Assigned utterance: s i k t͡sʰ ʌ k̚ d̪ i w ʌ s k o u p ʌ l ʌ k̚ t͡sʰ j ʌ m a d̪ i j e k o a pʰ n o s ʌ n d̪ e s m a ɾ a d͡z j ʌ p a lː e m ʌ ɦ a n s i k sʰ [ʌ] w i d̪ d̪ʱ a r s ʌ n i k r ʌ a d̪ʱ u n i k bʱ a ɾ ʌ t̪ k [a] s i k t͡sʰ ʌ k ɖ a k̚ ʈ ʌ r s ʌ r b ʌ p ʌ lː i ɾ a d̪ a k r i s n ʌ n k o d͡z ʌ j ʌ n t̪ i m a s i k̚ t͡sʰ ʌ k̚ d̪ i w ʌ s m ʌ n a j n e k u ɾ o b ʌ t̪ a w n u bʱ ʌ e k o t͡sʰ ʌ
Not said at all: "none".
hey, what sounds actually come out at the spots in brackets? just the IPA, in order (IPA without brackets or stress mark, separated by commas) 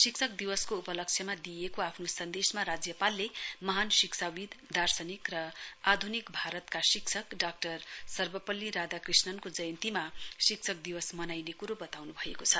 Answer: a, a